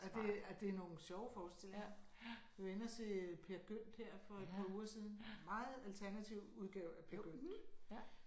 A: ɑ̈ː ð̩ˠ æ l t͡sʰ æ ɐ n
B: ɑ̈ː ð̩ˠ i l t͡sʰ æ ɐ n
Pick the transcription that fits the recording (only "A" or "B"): A